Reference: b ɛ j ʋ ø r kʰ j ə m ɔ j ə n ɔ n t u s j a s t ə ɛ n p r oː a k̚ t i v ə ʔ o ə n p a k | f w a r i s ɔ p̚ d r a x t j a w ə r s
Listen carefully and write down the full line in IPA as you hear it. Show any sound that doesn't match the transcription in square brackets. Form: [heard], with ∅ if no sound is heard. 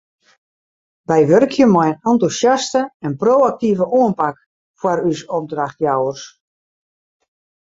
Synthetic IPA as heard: b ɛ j ʋ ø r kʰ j ə m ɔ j ə n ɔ n t u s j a s t ə ɛ n p r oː a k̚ t i v ə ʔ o ə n p a k | f w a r [y] s ɔ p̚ d r a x t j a w ə r s